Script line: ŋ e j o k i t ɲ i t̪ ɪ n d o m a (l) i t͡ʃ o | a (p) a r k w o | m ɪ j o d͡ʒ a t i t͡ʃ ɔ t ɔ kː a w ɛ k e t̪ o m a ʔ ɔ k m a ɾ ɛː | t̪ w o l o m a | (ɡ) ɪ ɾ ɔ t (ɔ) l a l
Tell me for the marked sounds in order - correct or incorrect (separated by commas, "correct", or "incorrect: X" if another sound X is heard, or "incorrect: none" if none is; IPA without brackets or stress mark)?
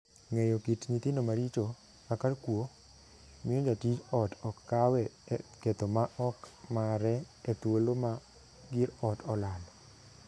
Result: incorrect: ɾ, incorrect: k, correct, correct